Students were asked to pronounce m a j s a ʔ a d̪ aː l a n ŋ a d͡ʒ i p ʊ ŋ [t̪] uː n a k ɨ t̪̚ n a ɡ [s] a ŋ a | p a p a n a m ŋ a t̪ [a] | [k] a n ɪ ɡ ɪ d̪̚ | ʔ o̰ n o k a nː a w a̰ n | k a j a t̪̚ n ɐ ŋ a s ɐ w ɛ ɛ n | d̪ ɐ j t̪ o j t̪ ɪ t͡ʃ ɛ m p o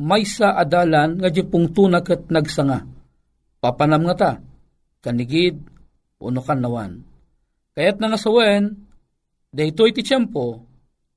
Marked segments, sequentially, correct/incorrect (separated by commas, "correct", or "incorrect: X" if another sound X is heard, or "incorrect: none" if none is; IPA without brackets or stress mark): correct, correct, correct, correct